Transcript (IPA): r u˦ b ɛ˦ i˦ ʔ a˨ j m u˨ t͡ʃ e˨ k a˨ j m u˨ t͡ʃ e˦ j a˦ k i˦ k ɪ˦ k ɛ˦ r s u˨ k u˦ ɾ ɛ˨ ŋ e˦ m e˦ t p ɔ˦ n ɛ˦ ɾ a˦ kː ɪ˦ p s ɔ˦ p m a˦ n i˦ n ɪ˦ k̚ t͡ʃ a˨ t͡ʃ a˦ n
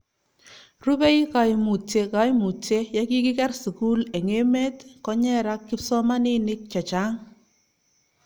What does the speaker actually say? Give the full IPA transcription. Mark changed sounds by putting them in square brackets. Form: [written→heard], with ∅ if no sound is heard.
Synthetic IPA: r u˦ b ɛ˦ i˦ [ʔ→k] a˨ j m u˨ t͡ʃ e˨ k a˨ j m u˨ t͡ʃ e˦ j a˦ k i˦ k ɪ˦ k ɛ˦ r s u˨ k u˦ [ɾ→l] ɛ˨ ŋ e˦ m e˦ t [p→k] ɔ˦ [n→ɲ] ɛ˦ ɾ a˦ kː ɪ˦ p s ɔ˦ [p→∅] m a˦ n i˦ n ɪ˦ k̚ t͡ʃ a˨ t͡ʃ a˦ [n→ŋ]

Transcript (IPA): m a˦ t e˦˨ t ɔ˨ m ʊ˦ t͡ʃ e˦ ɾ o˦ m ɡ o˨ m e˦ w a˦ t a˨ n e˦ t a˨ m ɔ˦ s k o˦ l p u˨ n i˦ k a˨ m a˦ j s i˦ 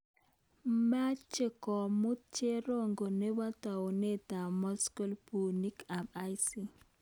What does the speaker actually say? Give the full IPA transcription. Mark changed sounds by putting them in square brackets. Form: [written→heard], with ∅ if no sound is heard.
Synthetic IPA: m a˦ [t→t͡ʃ] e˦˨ [t→k] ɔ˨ m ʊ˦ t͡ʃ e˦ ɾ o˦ [m→ŋ] ɡ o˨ [m→n] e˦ w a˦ t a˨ n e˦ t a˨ m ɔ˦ s k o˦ l p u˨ n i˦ k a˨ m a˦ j s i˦

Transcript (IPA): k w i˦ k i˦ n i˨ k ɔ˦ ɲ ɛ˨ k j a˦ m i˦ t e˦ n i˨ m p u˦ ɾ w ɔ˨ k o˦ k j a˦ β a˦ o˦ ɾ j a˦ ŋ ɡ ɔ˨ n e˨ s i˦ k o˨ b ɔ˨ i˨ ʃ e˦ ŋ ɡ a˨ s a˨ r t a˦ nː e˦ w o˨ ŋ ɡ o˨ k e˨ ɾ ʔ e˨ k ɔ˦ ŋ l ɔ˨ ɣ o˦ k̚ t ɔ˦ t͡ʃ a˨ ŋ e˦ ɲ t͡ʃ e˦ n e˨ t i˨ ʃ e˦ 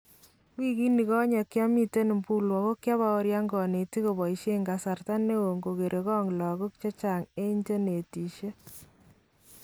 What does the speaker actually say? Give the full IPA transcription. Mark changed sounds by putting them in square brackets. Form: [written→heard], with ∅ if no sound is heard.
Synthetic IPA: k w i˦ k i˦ n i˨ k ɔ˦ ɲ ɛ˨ k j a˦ m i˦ t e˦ n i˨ m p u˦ [ɾ→l] w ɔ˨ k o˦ k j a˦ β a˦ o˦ ɾ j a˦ ŋ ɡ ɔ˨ n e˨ [s→t] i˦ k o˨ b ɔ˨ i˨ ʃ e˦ ŋ ɡ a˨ s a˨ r t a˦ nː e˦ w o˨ ŋ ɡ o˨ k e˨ ɾ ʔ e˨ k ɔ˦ ŋ l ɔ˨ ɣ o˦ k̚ [t→t͡ʃ] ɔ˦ t͡ʃ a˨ ŋ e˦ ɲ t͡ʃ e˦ n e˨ t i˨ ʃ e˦

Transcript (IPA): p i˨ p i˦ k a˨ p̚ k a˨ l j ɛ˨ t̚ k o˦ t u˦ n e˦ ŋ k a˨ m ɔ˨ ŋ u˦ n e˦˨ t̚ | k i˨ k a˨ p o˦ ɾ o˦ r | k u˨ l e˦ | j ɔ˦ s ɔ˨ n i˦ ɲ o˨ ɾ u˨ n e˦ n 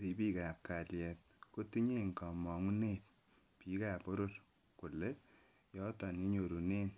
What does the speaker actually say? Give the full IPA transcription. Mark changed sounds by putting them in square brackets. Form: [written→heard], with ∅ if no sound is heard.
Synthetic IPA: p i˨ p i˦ k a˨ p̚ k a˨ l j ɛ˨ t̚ k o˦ t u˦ [n→ɲ] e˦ ŋ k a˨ m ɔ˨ ŋ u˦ n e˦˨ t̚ | [k→p] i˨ k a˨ p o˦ ɾ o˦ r | k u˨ l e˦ | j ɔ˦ [s→t] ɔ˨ n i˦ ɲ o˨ ɾ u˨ n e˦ n

